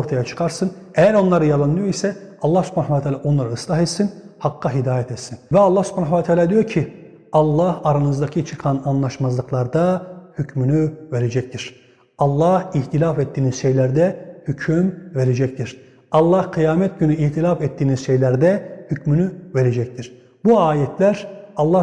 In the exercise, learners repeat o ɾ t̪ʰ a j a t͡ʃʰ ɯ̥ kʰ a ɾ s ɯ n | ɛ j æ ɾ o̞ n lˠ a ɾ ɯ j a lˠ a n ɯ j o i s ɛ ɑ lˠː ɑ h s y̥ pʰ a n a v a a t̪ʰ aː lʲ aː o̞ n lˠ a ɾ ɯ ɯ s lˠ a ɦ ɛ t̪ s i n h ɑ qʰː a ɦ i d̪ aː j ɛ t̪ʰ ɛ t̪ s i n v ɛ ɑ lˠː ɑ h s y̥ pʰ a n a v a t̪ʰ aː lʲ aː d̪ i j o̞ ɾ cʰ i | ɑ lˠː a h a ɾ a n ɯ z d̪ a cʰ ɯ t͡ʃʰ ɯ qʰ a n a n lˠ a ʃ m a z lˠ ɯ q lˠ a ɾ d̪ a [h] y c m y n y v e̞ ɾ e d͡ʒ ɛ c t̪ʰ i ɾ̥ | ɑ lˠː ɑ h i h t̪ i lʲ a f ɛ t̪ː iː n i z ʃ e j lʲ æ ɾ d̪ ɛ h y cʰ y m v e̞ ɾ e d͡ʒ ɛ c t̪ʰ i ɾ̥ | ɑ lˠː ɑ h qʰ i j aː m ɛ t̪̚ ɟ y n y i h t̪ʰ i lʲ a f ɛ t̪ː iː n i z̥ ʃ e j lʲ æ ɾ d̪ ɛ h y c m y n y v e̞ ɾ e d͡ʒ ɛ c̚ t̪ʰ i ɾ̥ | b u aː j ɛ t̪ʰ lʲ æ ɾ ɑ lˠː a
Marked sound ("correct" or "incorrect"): correct